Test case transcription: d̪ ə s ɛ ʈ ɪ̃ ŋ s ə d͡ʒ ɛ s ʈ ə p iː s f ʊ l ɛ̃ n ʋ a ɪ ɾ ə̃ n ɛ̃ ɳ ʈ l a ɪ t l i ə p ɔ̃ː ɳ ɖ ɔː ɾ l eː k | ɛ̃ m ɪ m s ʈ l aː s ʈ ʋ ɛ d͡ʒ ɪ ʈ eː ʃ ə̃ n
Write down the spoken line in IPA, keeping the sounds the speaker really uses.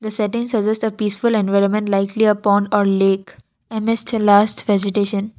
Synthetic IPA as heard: d̪ ə s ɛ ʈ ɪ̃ ŋ s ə d͡ʒ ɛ s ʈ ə p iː s f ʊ l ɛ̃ n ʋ a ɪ ɾ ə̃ m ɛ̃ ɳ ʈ l a ɪ k l i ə p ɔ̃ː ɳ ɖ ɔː ɾ l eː k | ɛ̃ m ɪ s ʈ l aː s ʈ ʋ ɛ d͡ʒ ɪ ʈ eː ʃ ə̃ n